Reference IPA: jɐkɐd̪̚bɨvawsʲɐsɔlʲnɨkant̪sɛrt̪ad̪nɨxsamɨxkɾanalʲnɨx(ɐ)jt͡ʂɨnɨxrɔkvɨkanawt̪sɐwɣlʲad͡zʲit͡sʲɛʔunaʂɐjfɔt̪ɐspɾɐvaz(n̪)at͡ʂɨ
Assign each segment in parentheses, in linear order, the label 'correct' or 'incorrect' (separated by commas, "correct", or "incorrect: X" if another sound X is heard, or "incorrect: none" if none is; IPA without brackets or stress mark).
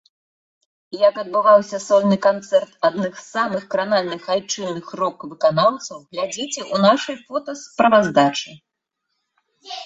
incorrect: a, incorrect: d̪